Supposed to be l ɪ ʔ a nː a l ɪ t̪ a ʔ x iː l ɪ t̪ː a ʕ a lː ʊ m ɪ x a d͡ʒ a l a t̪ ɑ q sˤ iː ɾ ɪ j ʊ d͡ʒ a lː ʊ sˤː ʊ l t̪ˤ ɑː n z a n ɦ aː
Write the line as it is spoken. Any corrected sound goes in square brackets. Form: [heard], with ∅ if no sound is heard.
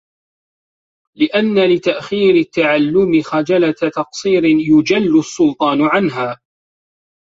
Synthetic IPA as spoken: l ɪ ʔ a nː a l ɪ t̪ a ʔ x iː [ɾ] ɪ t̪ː a ʕ a lː ʊ m ɪ x a d͡ʒ a l a t̪ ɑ q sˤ iː ɾ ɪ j ʊ d͡ʒ a lː ʊ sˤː ʊ l t̪ˤ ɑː n [ʕ] a n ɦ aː

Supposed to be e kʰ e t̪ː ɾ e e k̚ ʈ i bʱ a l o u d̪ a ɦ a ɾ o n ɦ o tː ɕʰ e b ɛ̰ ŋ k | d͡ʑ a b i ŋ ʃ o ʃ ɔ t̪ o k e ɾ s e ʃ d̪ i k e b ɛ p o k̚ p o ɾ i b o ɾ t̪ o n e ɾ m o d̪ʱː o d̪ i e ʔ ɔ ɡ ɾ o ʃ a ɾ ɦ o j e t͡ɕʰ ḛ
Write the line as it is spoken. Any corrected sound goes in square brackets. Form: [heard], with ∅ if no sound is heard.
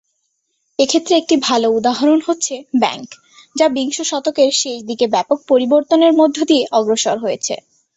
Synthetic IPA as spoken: e kʰ e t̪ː ɾ e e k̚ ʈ i bʱ a l o u d̪ a ɦ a ɾ o n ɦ o tː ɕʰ e b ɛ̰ ŋ k | d͡ʑ a b i ŋ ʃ o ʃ ɔ t̪ o k e ɾ [ʃ] e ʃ d̪ i k e b ɛ p o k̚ p o ɾ i b o ɾ t̪ o n e ɾ m o d̪ʱː o d̪ i e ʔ ɔ ɡ ɾ o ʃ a ɾ ɦ o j e t͡ɕʰ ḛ

